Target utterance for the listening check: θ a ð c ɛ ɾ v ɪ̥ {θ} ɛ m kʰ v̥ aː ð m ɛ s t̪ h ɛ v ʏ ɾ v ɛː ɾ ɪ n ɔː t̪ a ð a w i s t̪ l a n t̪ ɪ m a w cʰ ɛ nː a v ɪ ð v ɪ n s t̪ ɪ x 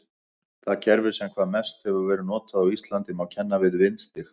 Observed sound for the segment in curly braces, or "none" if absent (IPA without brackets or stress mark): s